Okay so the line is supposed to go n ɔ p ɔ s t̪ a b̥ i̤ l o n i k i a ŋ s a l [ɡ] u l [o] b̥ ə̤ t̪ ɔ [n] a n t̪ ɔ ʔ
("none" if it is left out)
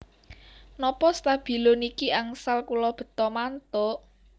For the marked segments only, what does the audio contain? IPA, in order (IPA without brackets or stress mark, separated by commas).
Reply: k, ɔ, m